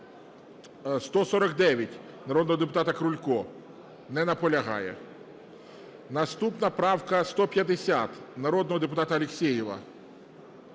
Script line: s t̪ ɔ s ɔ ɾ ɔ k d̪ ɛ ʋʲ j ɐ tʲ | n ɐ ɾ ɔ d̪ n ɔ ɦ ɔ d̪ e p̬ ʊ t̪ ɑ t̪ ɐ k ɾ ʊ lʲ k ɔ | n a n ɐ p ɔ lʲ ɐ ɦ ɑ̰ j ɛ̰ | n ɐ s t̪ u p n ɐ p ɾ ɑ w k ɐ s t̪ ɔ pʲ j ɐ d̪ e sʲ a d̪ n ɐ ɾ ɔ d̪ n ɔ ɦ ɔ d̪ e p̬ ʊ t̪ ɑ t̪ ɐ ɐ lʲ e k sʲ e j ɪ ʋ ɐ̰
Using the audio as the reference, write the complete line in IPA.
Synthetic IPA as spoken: s t̪ ɔ s ɔ ɾ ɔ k d̪ ɛ ʋʲ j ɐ tʲ | n ɐ ɾ ɔ d̪ n ɔ ɦ ɔ d̪ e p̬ ʊ t̪ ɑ t̪ ɐ k ɾ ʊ lʲ k ɔ | n ɛ n ɐ p ɔ lʲ ɐ ɦ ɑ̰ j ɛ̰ | n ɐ s t̪ u p n ɐ p ɾ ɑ w k ɐ s t̪ ɔ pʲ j ɐ d̪ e sʲ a t̪ n ɐ ɾ ɔ d̪ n ɔ ɦ ɔ d̪ e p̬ ʊ t̪ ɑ t̪ ɐ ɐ lʲ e k sʲ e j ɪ ʋ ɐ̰